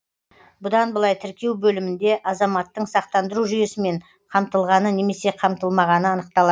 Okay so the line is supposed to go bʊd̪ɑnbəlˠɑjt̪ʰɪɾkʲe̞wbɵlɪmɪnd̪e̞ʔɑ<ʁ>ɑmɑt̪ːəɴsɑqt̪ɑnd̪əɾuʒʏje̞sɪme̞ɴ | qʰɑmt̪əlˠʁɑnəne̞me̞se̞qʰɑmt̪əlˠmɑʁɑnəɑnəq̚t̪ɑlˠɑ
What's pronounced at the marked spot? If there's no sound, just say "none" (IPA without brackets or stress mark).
z